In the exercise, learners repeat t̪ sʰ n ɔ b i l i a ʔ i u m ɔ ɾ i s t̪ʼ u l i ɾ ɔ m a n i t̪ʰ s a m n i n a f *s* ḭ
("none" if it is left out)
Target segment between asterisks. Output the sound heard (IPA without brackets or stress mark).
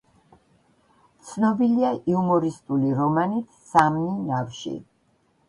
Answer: ʃ